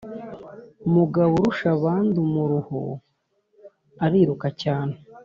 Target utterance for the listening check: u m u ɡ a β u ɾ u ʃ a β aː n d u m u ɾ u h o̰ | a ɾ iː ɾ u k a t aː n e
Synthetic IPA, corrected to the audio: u m u ɡ a β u ɾ u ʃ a β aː n d u m u ɾ u h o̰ | a ɾ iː ɾ u k a c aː n e